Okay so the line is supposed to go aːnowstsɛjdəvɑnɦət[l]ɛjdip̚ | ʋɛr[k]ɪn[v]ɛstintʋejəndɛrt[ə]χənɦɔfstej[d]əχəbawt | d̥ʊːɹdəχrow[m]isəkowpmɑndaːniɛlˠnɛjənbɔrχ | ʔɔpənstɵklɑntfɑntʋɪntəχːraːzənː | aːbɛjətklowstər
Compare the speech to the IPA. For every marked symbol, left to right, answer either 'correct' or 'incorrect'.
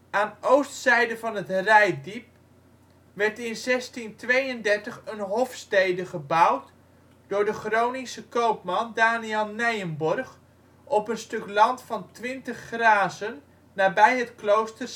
incorrect, incorrect, incorrect, correct, correct, incorrect

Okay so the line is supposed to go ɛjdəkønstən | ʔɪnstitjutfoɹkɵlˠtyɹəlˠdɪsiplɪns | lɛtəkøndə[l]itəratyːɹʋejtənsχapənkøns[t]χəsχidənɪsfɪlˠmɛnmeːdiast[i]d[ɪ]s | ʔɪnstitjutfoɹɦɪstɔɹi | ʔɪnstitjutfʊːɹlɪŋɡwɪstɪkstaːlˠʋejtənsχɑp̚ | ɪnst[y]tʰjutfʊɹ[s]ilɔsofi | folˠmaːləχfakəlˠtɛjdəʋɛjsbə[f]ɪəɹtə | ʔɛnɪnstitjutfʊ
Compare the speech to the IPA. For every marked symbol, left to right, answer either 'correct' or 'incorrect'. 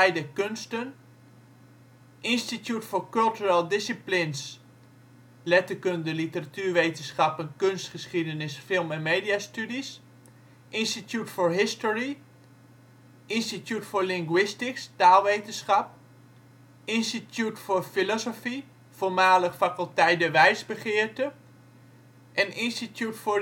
correct, correct, incorrect, incorrect, incorrect, incorrect, incorrect

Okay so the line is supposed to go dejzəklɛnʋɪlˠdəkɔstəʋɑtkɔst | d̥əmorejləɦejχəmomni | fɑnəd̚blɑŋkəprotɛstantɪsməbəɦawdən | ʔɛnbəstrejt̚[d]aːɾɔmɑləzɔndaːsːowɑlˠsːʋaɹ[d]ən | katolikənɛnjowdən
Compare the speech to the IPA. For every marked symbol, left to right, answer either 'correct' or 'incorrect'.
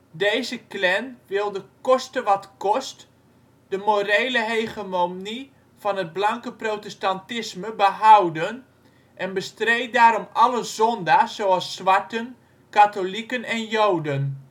correct, incorrect

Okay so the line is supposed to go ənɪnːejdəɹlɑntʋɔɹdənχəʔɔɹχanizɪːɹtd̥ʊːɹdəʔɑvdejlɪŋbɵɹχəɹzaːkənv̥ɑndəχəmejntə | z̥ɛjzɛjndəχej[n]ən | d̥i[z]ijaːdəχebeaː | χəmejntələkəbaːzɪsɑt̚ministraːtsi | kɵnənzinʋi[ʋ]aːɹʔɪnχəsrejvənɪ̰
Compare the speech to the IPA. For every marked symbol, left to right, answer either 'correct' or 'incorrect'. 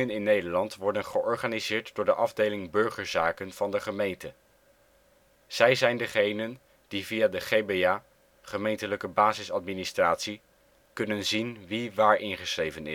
correct, incorrect, correct

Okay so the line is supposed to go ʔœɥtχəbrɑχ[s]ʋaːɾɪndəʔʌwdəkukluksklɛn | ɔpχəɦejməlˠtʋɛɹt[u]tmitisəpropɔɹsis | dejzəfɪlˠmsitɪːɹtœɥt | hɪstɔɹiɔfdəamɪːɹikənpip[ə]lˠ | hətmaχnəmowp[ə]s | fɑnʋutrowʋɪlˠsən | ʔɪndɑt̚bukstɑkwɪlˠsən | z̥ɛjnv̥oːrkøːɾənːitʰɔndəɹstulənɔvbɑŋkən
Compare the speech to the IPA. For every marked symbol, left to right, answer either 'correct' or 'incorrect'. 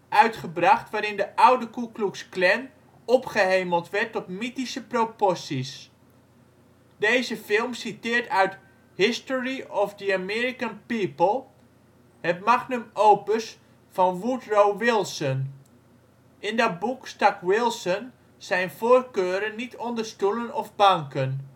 incorrect, incorrect, correct, correct

